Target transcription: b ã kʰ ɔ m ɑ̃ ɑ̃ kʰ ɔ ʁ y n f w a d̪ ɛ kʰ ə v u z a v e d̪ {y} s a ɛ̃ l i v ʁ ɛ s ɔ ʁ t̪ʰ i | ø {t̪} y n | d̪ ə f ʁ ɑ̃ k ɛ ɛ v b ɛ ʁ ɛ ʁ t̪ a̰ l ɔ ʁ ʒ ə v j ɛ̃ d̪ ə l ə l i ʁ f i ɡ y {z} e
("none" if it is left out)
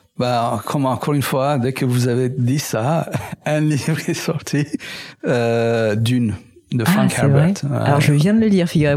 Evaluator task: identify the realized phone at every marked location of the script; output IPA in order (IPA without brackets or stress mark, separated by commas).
i, d̪, ʁ